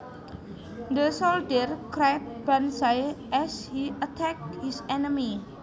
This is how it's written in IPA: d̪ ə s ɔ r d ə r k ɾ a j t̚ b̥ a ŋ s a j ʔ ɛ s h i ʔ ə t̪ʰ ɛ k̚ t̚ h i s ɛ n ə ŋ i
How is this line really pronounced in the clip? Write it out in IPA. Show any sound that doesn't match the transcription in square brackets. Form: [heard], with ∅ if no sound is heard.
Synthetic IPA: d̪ ə s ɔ [l] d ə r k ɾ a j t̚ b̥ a [n] s a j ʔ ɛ s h i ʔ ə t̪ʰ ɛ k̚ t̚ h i s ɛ n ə [m] i

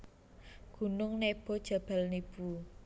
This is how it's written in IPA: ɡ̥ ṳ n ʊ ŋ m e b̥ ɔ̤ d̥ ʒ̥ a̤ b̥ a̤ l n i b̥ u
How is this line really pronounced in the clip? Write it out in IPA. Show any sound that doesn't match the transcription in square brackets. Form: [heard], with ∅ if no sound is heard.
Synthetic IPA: ɡ̥ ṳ n ʊ ŋ [n] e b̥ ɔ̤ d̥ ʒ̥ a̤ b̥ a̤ l n i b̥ u

